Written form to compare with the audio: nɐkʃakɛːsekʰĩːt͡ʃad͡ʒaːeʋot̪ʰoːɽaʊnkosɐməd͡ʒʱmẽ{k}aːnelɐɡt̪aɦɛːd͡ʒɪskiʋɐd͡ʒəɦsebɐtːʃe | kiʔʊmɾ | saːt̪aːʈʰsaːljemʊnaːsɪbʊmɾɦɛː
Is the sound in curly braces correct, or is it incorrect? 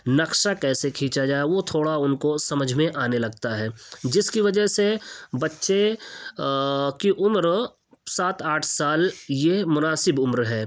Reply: incorrect